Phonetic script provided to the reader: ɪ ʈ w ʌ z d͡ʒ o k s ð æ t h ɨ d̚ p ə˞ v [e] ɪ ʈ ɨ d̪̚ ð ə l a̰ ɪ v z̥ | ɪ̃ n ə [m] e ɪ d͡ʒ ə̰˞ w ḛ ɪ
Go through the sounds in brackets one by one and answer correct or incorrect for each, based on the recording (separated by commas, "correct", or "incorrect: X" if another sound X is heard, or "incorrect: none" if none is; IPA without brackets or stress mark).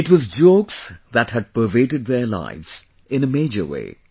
correct, correct